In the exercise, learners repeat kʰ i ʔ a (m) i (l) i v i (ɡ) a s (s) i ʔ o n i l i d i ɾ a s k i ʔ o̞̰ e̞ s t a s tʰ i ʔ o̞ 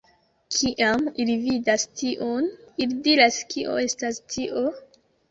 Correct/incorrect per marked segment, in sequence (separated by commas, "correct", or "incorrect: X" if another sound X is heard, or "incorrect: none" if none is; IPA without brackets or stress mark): correct, correct, incorrect: d, incorrect: t